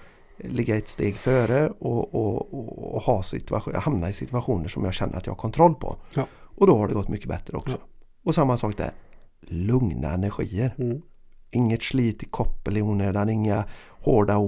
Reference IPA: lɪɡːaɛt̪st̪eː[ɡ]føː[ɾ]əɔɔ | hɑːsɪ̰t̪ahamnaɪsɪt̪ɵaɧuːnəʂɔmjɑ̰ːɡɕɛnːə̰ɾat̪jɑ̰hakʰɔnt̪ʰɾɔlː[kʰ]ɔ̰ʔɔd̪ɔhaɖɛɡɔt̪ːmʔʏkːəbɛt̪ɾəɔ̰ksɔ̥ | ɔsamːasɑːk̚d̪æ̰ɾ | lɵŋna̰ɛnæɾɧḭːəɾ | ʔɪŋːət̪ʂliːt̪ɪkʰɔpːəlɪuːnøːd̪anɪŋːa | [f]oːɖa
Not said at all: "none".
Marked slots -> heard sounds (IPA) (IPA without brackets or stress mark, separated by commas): ɡ, ɾ, pʰ, h